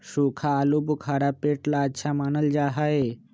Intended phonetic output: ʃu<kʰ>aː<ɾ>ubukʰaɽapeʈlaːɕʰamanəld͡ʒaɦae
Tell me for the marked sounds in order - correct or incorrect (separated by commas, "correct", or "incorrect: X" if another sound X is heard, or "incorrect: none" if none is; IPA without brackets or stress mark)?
correct, incorrect: l